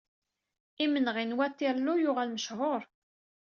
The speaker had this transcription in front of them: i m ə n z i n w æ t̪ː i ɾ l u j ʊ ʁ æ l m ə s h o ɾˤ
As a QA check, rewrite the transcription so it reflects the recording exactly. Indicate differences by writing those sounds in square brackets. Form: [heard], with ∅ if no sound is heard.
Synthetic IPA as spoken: i m ə n [ʁ] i n w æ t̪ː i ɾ l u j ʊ ʁ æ l m ə [ʃ] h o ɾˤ